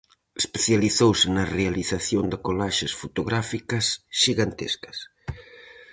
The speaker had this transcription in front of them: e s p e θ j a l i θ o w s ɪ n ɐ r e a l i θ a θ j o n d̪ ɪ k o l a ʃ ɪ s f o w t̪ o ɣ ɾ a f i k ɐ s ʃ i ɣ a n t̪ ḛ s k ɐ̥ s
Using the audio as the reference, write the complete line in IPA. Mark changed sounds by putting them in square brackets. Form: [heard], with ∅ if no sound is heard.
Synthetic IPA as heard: e s p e θ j a l i θ o w s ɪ n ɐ r e a l i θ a θ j o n d̪ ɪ k o l a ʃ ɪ s f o [∅] t̪ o ɣ ɾ a f i k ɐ s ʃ i ɣ a n t̪ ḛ s k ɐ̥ s